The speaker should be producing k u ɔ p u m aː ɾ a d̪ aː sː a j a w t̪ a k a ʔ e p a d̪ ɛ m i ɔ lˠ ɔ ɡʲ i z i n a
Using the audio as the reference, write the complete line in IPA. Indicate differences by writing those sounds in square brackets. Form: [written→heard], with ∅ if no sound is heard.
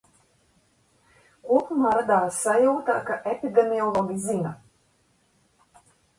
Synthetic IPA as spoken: k u ɔ p u m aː ɾ a d̪ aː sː a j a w t̪ a k a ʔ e p [a→i] d̪ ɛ m i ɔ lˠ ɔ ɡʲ i z i n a